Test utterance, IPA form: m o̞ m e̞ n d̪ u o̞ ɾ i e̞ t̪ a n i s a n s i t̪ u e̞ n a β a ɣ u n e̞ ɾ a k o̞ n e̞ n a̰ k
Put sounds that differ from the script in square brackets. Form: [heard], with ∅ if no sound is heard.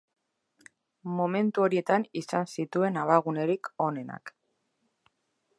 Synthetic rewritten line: m o̞ m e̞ n [t̪] u o̞ ɾ i e̞ t̪ a n i s a n s i t̪ u e̞ n a β a ɣ u n e̞ ɾ [i] k o̞ n e̞ n a̰ k